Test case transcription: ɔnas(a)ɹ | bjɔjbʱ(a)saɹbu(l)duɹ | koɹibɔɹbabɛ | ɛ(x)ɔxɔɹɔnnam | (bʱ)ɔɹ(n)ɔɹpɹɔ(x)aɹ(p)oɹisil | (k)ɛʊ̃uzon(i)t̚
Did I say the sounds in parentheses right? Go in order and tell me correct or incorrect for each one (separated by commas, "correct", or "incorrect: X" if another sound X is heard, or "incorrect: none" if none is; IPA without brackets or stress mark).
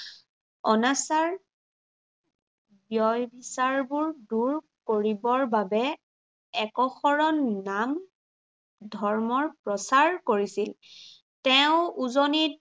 correct, incorrect: i, incorrect: ɹ, incorrect: k, incorrect: dʱ, incorrect: m, incorrect: s, incorrect: k, incorrect: t, correct